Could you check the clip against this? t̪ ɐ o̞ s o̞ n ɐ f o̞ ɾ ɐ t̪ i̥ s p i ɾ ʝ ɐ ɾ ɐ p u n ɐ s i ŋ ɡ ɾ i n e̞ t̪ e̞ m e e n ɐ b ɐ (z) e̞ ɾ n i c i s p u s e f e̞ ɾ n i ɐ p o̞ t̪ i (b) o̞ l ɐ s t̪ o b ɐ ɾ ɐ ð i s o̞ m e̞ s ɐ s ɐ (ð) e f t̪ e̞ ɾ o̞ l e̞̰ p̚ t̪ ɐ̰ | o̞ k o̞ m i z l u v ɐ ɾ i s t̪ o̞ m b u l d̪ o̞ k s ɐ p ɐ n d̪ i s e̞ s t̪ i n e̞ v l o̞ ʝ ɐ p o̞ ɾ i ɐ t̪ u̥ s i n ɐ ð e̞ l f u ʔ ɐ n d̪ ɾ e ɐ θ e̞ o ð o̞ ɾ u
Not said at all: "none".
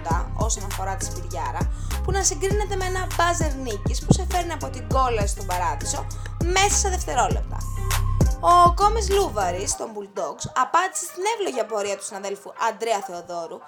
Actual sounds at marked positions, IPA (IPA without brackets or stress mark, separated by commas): z, ɡ, ð